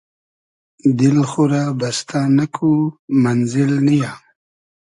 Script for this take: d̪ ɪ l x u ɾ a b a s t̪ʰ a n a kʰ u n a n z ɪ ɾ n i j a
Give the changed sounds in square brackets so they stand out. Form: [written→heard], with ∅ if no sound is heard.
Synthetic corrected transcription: d̪ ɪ l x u ɾ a b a s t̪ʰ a n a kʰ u [n→m] a n z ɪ [ɾ→l] n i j a